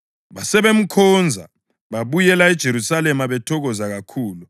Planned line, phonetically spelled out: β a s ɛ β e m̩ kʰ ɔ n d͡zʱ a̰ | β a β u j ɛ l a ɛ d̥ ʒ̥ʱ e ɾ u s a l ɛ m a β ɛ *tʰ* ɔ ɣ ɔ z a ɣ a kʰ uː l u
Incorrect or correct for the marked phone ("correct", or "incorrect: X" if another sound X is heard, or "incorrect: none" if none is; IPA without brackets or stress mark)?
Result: correct